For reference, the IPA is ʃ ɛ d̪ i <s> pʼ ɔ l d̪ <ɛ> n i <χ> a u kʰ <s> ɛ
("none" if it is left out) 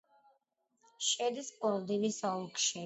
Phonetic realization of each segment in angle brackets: s, i, s, ʃ

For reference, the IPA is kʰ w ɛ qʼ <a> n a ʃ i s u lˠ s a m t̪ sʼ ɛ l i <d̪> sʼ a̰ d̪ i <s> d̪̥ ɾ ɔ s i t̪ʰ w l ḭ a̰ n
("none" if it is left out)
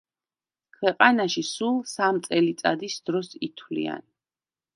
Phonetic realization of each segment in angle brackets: a, t̪, s

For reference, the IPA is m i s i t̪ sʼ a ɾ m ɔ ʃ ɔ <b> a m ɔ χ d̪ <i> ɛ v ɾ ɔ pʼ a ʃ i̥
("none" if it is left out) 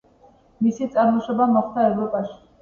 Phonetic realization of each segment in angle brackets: b, a

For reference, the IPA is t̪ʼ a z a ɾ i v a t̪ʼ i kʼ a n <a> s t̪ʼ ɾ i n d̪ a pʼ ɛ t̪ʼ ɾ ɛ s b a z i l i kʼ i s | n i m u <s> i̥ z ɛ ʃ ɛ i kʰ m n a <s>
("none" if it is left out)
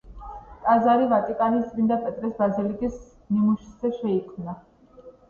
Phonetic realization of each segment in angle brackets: i, ʃ, none

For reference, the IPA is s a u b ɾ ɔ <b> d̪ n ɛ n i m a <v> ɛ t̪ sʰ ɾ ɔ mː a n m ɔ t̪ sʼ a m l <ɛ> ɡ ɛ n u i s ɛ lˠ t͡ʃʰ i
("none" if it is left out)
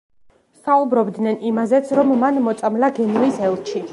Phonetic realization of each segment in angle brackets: b, z, a

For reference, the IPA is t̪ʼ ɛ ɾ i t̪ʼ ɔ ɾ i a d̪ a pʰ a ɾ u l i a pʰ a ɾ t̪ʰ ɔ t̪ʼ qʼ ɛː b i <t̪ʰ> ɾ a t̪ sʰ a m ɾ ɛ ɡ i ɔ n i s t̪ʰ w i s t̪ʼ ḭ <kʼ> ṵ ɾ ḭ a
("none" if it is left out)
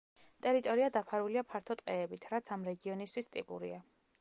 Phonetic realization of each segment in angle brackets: t̪ʰ, pʼ

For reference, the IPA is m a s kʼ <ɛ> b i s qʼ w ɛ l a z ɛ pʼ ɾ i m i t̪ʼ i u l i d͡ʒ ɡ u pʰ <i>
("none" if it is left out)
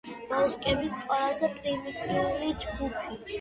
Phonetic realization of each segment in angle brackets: ɛ, i

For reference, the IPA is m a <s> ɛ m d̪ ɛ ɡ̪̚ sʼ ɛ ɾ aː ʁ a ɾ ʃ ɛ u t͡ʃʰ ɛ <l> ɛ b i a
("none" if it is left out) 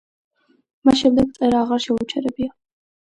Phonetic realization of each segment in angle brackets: ʃ, ɾ

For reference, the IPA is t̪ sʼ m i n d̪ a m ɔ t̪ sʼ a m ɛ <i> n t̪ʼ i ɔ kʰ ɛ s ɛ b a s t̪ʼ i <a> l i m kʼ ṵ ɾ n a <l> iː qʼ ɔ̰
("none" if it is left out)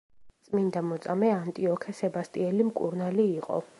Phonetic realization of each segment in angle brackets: a, ɛ, l

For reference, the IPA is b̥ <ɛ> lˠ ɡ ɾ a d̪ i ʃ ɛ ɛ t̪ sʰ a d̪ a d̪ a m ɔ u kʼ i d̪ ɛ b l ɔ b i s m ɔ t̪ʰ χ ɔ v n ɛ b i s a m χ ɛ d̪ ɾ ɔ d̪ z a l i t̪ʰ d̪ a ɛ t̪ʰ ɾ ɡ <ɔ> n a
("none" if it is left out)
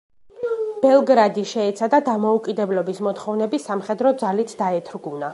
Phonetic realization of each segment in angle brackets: ɛ, u

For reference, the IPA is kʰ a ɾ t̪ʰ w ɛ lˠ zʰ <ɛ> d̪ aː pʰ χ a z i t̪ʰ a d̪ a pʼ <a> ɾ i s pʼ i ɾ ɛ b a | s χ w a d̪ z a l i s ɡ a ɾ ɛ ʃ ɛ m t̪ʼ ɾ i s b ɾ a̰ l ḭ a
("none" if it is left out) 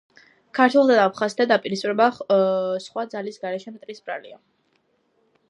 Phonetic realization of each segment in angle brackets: a, i

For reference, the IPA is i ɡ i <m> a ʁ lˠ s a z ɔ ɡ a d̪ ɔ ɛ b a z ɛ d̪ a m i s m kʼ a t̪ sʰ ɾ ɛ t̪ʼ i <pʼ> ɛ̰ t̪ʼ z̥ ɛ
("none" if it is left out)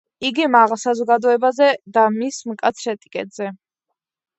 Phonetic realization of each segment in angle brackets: m, kʼ

